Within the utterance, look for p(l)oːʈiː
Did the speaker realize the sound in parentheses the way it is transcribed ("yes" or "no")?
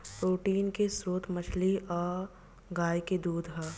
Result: no